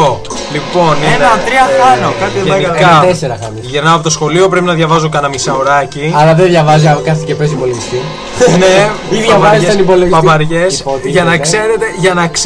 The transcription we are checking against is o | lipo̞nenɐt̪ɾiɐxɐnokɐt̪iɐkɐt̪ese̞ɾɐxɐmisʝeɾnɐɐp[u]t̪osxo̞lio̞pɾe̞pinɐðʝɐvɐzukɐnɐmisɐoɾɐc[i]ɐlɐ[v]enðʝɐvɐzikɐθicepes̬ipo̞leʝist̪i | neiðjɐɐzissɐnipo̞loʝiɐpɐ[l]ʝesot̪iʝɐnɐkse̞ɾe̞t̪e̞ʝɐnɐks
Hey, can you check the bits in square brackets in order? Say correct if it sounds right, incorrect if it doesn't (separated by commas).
incorrect, correct, incorrect, incorrect